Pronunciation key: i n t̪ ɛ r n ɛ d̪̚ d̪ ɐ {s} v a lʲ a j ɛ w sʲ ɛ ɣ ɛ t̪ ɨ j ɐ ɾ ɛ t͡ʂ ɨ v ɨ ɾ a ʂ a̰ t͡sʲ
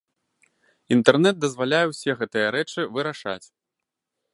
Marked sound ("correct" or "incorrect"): incorrect